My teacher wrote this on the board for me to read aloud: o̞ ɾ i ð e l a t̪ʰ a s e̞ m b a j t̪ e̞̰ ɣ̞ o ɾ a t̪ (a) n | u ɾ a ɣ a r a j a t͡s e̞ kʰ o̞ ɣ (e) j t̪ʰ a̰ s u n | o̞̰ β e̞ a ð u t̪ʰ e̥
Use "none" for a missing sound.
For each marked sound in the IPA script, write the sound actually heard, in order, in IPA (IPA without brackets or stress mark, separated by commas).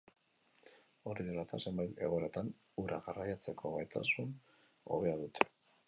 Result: a, a